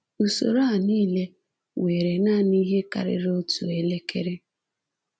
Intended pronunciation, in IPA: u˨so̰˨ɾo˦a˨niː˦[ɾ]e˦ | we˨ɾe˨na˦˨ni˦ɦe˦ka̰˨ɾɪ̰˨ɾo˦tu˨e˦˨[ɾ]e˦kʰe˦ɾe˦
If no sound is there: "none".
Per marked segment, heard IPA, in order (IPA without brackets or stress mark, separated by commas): l, l